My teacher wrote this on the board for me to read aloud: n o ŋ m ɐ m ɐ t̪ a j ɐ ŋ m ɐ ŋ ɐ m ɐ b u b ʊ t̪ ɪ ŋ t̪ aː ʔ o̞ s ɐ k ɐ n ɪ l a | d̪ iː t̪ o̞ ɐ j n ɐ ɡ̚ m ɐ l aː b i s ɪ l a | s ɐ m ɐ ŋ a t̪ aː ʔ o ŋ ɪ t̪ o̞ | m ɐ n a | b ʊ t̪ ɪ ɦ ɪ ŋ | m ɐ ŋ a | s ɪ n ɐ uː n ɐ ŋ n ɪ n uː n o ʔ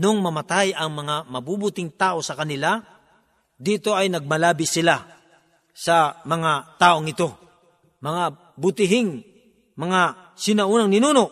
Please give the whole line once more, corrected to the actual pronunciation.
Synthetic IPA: n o ŋ m ɐ m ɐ t̪ a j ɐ ŋ m ɐ ŋ a m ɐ b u b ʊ t̪ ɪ ŋ t̪ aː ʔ o̞ s ɐ k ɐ n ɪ l a | d̪ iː t̪ o̞ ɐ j n ɐ ɡ̚ m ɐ l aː b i s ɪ l a | s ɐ m ɐ ŋ a t̪ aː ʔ o ŋ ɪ t̪ o̞ | m ɐ ŋ a | b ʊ t̪ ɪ ɦ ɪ ŋ | m ɐ ŋ a | s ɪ n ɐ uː n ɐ ŋ n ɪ n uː n o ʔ